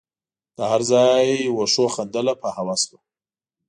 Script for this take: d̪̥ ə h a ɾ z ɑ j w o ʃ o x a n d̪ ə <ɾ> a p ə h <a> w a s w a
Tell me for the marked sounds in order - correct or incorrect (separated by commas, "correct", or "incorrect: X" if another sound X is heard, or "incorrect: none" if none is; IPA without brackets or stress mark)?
incorrect: l, correct